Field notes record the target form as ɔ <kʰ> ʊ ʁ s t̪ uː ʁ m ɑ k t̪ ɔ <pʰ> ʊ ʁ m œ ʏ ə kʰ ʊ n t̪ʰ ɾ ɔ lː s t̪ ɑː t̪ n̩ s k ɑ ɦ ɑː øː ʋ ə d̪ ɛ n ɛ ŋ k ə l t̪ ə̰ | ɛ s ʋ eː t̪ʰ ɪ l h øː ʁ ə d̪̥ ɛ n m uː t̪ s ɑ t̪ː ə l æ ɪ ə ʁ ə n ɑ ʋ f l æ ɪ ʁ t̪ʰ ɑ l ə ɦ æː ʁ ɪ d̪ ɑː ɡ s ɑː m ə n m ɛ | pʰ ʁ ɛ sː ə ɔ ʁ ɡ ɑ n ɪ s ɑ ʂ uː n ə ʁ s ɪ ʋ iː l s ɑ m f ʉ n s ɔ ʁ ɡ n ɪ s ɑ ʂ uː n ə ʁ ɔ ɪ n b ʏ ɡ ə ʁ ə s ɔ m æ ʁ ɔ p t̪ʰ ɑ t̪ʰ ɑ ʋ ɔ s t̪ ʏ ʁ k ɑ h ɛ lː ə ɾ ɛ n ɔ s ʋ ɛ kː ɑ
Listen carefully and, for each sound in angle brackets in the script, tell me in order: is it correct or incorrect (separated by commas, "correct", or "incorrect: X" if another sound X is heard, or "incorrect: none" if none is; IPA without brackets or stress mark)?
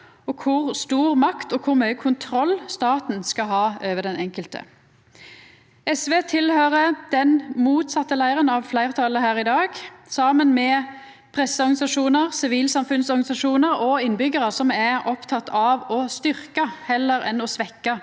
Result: correct, incorrect: kʰ